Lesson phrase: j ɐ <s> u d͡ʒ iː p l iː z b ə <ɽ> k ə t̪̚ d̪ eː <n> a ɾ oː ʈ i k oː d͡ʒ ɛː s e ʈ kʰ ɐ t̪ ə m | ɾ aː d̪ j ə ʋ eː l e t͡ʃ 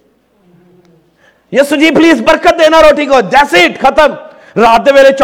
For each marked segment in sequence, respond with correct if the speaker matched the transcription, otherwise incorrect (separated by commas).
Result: correct, incorrect, correct